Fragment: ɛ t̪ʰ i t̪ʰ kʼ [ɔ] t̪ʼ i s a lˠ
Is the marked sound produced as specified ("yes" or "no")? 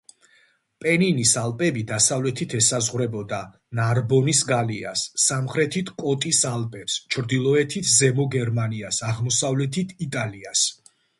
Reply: yes